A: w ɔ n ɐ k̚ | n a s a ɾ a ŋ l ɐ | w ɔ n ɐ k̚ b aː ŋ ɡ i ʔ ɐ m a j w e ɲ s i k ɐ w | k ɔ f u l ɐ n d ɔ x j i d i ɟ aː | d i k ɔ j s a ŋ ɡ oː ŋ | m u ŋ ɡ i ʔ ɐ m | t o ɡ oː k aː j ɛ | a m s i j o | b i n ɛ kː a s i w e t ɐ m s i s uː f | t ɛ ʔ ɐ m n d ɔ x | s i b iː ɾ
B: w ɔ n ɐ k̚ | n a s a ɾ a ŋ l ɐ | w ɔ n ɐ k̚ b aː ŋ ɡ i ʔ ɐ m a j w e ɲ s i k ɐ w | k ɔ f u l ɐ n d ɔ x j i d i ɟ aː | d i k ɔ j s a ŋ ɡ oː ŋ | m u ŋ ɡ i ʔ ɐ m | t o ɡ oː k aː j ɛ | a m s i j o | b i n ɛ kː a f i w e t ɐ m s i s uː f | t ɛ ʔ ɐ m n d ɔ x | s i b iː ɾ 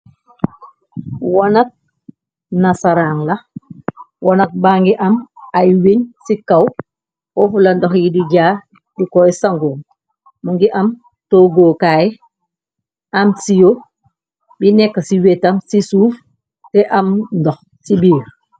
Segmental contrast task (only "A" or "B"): A